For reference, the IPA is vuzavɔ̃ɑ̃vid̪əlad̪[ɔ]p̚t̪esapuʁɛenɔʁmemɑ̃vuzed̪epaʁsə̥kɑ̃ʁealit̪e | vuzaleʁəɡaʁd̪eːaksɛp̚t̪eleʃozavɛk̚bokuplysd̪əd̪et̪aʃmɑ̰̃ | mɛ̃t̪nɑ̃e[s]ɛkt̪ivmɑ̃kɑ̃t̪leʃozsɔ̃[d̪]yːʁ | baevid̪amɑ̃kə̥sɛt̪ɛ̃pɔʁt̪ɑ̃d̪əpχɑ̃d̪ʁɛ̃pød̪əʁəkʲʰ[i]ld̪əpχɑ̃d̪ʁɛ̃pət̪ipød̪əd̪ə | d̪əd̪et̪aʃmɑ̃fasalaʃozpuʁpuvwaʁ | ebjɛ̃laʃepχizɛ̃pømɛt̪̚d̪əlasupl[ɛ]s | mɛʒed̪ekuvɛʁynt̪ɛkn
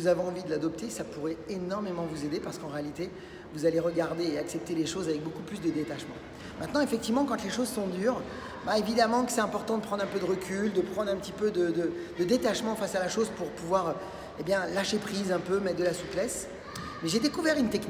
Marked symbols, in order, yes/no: yes, no, yes, no, yes

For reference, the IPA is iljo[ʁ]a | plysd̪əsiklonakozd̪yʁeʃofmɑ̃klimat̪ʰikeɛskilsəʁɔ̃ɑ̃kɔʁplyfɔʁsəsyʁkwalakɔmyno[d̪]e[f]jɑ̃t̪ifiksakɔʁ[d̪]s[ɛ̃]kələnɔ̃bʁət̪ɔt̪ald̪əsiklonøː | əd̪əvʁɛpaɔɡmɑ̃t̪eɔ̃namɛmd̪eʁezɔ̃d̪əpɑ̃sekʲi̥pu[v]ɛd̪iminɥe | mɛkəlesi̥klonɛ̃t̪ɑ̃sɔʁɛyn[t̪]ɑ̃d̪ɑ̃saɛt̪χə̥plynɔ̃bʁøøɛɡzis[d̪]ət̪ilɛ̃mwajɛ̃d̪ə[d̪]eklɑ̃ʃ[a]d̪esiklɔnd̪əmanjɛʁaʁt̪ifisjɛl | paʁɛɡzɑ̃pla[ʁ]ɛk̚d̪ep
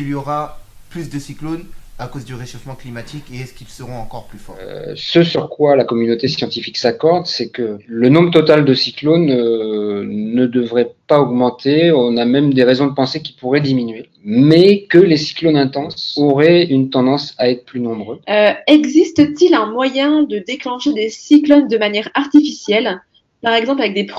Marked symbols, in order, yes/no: yes, no, no, yes, no, no, yes, no, yes, no, no

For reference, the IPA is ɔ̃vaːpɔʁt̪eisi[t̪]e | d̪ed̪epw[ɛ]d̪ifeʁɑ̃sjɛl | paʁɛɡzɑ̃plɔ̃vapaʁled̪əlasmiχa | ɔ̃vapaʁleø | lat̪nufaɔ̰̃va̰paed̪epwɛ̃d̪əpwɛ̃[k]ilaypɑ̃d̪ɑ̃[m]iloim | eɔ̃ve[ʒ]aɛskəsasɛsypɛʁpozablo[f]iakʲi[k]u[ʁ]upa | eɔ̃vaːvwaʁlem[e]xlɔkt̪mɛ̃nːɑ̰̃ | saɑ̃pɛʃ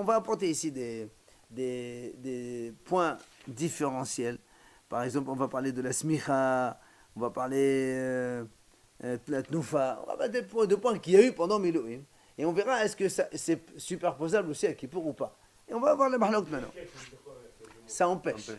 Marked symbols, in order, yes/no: no, no, yes, yes, no, no, no, yes, no

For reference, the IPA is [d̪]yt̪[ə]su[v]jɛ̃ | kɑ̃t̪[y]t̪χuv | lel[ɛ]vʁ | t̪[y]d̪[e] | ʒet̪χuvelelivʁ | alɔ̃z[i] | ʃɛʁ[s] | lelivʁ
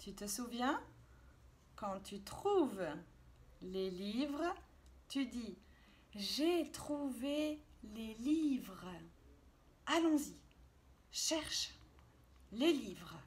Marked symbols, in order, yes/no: no, yes, yes, yes, no, yes, no, yes, no

